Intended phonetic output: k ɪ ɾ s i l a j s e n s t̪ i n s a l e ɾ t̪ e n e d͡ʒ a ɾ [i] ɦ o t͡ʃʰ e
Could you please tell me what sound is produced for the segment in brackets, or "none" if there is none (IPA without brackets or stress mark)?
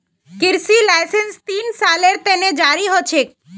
i